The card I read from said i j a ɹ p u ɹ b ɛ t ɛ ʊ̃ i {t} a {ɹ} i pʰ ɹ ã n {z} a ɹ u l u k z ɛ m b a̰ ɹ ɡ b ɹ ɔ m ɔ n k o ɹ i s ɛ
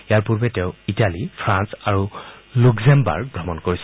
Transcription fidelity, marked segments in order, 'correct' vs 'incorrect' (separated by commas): correct, incorrect, incorrect